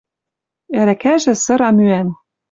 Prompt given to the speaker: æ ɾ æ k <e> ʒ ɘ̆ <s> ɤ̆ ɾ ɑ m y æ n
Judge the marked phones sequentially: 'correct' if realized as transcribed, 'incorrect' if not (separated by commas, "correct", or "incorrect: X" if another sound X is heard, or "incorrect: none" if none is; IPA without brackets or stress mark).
incorrect: æ, correct